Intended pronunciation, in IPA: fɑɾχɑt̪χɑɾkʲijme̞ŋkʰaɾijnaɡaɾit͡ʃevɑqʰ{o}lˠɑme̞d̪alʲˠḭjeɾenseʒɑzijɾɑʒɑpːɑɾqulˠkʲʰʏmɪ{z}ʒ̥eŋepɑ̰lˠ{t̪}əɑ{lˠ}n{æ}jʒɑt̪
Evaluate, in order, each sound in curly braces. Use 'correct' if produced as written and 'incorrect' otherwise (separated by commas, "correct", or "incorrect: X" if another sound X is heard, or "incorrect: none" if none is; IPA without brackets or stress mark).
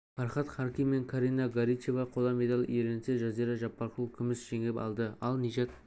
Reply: correct, incorrect: s, incorrect: d̪, correct, incorrect: i